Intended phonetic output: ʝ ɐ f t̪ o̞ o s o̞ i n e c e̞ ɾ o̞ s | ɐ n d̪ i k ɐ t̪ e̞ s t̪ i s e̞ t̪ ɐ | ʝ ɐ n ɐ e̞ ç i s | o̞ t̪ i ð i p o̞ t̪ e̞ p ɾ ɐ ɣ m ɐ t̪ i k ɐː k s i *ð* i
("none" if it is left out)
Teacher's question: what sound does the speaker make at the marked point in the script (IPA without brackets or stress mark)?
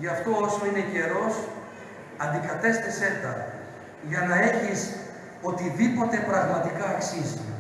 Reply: z